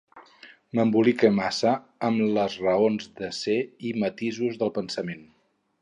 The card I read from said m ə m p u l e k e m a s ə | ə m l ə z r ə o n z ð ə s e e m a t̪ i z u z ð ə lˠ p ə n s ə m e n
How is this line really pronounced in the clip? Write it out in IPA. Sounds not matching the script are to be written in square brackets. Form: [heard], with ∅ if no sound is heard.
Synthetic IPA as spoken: m ə m [b] u l [i] k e m a s ə | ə m l ə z r ə o n z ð ə s e [i] m [ə] t̪ i z u z ð ə lˠ p ə n s ə m e n